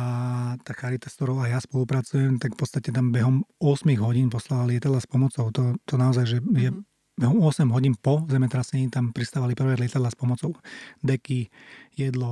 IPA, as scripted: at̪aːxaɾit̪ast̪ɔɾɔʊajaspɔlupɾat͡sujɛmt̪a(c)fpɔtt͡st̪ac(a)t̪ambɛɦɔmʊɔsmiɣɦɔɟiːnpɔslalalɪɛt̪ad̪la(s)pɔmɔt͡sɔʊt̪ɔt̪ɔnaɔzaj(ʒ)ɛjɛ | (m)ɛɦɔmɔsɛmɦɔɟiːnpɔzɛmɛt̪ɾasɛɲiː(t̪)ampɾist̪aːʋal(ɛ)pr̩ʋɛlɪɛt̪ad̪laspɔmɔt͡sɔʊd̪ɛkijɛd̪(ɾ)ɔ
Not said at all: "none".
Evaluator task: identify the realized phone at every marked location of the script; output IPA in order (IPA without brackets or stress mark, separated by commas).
k, ɛ, s, ʒ, b, t̪, i, l